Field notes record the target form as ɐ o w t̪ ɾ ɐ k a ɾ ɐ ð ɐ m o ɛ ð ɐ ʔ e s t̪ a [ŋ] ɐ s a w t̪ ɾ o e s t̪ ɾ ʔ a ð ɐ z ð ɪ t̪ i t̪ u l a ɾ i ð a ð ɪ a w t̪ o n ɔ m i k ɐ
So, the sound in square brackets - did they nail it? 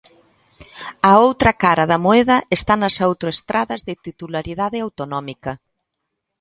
no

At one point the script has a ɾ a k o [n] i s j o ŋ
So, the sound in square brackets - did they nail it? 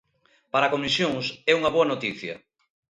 no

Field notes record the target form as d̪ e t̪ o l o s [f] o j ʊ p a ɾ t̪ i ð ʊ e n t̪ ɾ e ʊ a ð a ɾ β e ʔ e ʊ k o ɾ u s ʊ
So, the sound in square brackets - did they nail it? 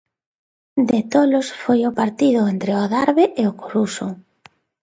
yes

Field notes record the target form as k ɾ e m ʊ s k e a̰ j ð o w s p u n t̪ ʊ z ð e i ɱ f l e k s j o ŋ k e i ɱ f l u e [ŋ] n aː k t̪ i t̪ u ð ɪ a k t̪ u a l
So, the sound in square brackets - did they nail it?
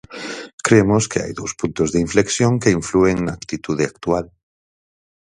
yes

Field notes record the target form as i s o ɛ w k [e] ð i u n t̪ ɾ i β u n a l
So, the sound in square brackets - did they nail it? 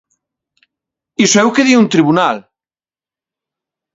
yes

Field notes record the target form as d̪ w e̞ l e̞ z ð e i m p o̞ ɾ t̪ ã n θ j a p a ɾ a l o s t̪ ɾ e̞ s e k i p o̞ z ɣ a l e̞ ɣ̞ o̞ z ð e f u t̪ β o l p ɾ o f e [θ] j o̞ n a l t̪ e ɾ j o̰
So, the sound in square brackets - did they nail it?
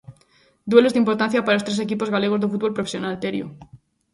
no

